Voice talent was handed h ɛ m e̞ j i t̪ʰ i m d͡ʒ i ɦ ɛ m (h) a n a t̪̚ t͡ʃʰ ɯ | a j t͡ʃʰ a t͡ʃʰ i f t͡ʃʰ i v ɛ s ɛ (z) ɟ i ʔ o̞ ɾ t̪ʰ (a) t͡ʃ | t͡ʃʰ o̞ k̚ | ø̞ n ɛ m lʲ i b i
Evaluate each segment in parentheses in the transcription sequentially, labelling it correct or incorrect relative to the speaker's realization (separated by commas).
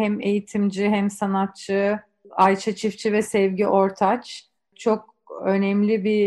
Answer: incorrect, incorrect, correct